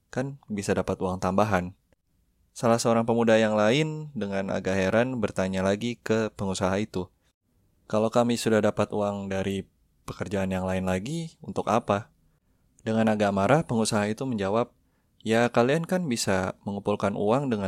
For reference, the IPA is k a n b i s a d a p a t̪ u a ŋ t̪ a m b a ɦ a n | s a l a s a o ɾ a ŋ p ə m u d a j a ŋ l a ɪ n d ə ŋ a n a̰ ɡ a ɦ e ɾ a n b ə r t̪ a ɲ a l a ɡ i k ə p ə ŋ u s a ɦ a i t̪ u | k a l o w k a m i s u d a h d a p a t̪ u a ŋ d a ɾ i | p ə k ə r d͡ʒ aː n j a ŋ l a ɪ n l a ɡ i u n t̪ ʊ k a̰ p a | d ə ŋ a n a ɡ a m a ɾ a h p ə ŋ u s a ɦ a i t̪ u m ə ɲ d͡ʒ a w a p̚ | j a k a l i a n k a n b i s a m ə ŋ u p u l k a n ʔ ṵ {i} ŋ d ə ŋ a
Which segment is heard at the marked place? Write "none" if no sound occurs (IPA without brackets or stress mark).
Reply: a